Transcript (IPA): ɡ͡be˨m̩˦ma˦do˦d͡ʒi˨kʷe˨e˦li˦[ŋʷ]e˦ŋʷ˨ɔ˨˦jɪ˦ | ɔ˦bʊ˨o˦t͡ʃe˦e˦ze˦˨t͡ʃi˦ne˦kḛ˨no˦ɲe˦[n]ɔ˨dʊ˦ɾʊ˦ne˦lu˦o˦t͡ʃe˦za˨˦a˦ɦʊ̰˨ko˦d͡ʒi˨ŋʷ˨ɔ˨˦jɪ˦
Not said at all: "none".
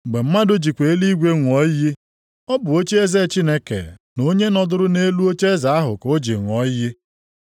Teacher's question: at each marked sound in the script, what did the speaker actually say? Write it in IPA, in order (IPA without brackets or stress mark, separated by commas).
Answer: ɡʷ, n